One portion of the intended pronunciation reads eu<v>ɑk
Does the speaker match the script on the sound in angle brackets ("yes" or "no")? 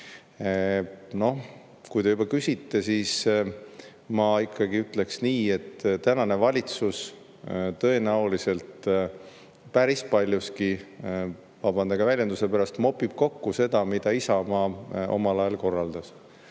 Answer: no